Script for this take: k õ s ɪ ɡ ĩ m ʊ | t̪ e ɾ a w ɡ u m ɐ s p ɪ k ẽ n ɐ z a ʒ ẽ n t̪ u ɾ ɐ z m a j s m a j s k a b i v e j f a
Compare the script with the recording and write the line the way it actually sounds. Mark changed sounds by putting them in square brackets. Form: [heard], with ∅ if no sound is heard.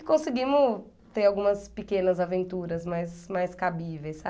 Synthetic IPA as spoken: k õ s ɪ ɡ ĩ m ʊ | t̪ e ɾ a w ɡ [ũ] m ɐ s p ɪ k ẽ n ɐ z a [v] ẽ n t̪ u ɾ ɐ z m a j s m a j s k a b i v e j [s] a